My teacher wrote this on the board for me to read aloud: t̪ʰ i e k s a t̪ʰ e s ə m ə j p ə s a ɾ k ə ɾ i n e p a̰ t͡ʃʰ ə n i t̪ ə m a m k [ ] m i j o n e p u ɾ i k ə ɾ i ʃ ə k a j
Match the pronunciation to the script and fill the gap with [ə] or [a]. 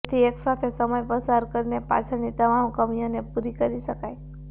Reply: ə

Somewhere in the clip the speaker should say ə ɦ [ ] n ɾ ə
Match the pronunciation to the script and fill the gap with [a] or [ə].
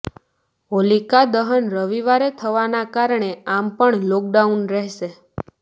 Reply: ə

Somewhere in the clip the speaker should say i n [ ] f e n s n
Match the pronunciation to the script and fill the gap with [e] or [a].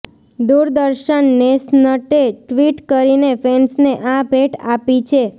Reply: e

